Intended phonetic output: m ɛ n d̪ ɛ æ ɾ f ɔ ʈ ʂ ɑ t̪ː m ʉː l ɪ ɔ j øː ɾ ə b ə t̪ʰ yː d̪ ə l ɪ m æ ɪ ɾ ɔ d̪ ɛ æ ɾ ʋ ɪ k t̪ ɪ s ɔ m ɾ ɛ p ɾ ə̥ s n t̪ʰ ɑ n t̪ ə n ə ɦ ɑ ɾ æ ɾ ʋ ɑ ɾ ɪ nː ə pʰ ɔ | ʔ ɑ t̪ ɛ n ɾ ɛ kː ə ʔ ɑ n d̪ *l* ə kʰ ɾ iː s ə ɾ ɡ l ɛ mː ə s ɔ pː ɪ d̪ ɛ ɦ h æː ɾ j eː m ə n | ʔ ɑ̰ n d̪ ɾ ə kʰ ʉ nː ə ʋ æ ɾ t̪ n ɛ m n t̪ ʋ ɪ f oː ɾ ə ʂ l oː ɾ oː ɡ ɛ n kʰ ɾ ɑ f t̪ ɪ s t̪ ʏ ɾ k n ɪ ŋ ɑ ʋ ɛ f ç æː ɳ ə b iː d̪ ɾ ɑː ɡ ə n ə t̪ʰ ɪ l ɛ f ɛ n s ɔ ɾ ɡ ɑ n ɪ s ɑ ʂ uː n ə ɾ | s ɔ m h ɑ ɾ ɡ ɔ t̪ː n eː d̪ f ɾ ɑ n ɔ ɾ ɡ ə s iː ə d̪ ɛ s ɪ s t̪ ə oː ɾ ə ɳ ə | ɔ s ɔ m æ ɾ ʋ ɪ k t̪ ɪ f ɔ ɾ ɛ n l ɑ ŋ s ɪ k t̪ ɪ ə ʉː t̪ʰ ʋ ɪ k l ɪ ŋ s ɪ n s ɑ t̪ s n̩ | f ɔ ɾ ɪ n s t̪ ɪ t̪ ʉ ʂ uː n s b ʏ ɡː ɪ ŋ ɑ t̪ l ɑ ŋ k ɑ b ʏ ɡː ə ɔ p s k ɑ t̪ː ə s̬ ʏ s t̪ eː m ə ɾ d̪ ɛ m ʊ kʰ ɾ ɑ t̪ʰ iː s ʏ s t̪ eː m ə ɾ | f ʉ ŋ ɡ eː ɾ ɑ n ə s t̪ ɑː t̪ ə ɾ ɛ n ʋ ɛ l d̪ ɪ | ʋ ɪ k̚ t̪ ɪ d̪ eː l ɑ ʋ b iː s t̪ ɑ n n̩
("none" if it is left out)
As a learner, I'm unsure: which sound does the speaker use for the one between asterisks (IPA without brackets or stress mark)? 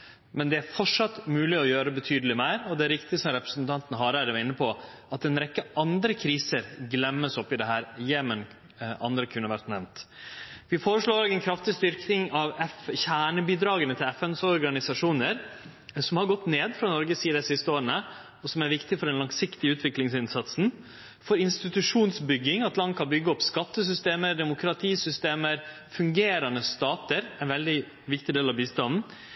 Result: ɾ